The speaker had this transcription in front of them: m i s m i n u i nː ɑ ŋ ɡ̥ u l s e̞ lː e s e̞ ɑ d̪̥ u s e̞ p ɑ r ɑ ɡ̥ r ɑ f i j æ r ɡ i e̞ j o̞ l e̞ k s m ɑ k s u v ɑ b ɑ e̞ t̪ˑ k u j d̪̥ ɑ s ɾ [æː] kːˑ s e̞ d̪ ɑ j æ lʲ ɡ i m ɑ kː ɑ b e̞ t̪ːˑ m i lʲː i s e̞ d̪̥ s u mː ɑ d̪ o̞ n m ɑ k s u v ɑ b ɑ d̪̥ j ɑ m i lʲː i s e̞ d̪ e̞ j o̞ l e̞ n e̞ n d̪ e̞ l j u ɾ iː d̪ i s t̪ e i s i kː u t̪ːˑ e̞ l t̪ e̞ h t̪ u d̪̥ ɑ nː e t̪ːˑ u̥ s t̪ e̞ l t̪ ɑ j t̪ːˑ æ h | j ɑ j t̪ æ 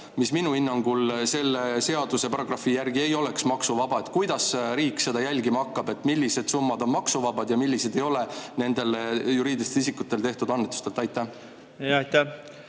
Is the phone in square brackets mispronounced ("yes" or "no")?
yes